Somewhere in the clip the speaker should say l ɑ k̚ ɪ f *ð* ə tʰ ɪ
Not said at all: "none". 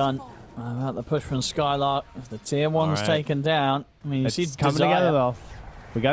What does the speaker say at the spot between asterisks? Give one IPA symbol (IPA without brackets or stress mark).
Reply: ð